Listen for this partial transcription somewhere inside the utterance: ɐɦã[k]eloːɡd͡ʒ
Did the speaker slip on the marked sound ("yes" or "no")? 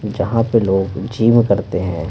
yes